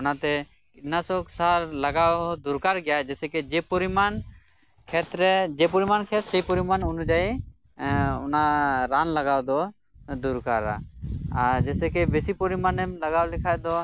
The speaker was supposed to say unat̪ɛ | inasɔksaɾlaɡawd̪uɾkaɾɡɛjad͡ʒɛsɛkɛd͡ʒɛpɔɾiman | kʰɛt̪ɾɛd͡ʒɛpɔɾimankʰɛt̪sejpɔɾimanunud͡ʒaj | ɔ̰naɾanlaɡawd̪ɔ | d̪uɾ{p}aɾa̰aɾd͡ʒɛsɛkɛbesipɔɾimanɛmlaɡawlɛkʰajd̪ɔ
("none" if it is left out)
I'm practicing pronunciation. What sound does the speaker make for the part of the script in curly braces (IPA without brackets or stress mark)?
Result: k